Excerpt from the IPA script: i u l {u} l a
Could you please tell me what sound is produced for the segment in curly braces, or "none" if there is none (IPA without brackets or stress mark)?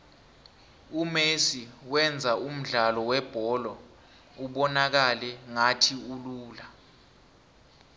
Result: uː